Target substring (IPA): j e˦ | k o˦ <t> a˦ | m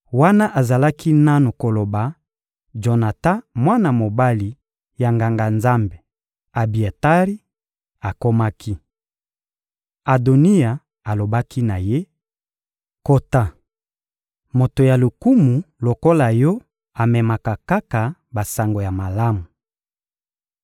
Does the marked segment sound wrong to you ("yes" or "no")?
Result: no